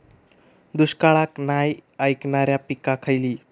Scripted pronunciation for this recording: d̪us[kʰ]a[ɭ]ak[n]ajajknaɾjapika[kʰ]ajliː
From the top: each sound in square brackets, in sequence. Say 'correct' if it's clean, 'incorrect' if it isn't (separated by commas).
incorrect, correct, correct, correct